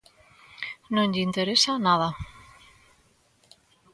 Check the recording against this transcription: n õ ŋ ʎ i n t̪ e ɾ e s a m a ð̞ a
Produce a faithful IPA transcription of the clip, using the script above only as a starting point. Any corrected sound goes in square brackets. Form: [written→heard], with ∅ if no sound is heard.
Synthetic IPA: n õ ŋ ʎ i n t̪ e ɾ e s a [m→n] a ð̞ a